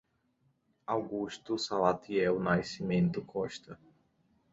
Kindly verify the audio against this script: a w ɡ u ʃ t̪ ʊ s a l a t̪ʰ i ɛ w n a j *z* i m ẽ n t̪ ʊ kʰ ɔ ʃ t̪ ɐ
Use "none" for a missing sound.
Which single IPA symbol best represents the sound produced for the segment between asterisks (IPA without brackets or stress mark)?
s